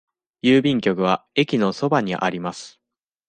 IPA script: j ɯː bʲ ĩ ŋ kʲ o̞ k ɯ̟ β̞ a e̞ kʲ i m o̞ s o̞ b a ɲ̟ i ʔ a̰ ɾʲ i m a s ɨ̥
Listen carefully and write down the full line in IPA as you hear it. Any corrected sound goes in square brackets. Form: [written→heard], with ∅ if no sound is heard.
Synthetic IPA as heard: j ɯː bʲ ĩ ŋ kʲ o̞ k ɯ̟ β̞ a e̞ kʲ i [m→n] o̞ s o̞ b a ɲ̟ i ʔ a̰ ɾʲ i m a s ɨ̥